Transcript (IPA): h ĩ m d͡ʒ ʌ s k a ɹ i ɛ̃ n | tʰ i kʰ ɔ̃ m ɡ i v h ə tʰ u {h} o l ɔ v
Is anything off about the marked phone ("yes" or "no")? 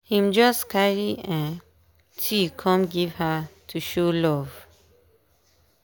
yes